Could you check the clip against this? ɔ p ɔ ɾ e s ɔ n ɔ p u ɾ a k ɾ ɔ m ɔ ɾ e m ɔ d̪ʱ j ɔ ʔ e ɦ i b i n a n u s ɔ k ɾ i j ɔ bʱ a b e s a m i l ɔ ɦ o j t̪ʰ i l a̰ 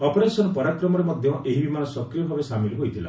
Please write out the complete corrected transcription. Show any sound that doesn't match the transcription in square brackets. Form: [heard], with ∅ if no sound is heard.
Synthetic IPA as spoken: ɔ p ɔ ɾ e s ɔ n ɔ p [ɔ] ɾ a k ɾ ɔ m ɔ ɾ e m ɔ d̪ʱ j ɔ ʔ e ɦ i b i [m] a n [ɔ] s ɔ k ɾ i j ɔ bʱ a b e s a m i l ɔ ɦ o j t̪ʰ i l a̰